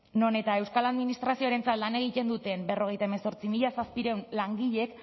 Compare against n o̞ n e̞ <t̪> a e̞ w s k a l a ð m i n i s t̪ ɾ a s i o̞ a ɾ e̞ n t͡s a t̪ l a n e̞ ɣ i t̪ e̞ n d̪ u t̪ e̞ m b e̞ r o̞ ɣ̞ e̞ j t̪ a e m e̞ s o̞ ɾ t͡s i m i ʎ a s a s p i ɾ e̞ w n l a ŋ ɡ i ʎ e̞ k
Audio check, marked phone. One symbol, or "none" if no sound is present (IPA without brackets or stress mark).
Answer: t̪